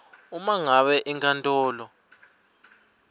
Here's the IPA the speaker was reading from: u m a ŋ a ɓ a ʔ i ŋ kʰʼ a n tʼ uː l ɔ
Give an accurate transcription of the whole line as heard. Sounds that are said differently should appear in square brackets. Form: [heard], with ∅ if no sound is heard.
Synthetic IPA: u m a ŋ a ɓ [ɛ] ʔ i ŋ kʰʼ a n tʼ [ɔː] l ɔ